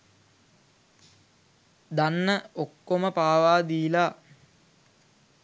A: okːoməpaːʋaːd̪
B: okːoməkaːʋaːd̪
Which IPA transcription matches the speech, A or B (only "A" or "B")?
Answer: A